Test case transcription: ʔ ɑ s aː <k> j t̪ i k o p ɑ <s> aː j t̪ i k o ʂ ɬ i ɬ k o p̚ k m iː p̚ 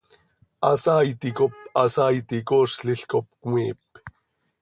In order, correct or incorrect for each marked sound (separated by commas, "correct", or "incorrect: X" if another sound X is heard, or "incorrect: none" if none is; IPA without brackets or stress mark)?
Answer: incorrect: none, correct